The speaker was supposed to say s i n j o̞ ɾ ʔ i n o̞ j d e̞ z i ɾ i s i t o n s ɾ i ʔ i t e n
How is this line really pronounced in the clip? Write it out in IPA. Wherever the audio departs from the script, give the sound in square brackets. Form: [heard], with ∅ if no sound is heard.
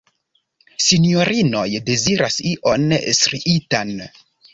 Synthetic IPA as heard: s i n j o̞ ɾ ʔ i n o̞ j d e̞ z i ɾ [a] s i [ʔ] o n s ɾ i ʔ i t [a] n